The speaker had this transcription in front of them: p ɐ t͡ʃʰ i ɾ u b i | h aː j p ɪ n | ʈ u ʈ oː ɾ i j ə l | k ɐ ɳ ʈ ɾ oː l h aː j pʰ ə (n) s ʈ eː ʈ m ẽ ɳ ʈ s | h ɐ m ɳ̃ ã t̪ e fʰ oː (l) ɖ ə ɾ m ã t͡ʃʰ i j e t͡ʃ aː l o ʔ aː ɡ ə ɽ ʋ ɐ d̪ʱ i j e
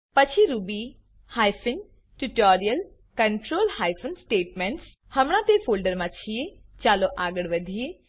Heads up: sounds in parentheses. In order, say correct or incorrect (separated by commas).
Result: correct, correct